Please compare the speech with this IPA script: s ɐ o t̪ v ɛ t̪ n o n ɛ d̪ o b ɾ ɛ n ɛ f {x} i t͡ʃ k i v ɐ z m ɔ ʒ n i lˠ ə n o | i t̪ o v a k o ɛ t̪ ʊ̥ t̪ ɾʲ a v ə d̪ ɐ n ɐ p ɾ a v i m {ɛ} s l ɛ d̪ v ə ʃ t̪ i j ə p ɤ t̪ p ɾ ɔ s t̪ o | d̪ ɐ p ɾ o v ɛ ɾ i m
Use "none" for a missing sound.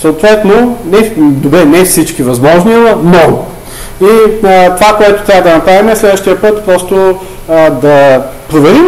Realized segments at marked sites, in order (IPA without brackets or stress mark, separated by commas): s, ɛ